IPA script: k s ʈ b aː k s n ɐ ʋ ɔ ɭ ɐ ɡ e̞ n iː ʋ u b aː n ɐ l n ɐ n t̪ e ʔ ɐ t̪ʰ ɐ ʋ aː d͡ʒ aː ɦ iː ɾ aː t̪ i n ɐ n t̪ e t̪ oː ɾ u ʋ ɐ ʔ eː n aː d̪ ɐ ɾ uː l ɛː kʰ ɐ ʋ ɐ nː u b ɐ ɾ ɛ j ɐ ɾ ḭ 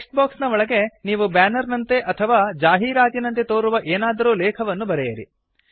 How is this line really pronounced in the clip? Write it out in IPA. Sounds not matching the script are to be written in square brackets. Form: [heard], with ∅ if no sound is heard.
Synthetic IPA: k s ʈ b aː k s n ɐ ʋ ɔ ɭ ɐ ɡ e̞ n iː ʋ u b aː n ɐ [ɾ] n ɐ n t̪ e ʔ ɐ t̪ʰ ɐ ʋ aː d͡ʒ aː ɦ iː ɾ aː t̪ i n ɐ n t̪ e t̪ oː ɾ u ʋ ɐ ʔ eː n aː d̪ ɐ ɾ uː l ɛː kʰ ɐ ʋ ɐ nː u b ɐ ɾ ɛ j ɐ ɾ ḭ